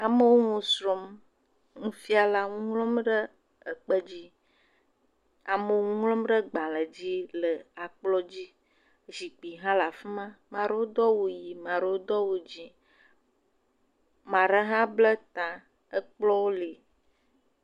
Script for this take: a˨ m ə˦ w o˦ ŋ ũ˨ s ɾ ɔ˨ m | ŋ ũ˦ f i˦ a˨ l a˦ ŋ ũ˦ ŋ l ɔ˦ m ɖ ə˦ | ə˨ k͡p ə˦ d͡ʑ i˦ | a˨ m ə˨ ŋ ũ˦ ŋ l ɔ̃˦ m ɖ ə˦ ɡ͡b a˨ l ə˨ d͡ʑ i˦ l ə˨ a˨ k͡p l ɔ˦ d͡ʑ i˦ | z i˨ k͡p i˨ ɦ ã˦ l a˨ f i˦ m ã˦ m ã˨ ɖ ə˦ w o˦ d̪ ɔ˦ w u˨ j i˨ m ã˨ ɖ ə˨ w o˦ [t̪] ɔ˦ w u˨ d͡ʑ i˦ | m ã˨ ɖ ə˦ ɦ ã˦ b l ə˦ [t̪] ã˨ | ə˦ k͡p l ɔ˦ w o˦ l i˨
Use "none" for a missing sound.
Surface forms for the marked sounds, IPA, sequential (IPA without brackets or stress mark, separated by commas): d̪, t̪